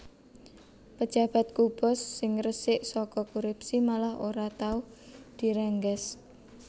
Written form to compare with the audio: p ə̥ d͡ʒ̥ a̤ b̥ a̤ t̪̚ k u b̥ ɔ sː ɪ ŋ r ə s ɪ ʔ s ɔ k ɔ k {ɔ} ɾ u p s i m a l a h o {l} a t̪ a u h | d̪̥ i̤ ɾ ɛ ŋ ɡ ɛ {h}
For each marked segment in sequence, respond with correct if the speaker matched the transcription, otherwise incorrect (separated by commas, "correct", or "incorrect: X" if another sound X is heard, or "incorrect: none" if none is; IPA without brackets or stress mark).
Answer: incorrect: u, incorrect: ɾ, incorrect: s